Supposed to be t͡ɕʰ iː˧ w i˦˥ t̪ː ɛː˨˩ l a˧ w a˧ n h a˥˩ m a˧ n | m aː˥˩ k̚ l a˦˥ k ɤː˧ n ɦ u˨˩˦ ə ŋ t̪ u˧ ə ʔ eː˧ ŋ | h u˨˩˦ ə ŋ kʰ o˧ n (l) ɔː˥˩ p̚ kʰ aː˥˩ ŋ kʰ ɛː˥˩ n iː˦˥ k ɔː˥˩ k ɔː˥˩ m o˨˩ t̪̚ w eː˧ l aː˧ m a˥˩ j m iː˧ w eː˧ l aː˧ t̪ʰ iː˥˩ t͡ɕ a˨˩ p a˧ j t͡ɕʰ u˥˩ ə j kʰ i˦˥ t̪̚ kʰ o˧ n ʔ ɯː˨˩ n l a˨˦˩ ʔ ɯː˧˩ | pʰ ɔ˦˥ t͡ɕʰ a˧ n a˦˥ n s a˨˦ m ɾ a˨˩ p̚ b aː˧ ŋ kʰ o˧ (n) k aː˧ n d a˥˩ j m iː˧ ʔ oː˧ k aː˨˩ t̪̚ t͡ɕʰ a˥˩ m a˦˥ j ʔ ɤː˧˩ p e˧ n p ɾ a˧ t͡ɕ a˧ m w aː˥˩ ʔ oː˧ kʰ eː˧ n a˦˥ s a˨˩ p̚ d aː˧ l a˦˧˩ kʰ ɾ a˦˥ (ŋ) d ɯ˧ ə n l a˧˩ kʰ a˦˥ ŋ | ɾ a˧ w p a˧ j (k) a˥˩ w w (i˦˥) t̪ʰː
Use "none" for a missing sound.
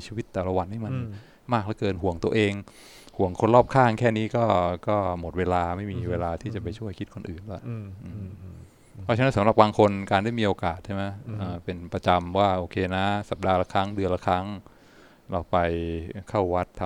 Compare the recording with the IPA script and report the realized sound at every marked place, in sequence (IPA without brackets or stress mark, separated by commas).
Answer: l, n, ŋ, kʰ, a˦˥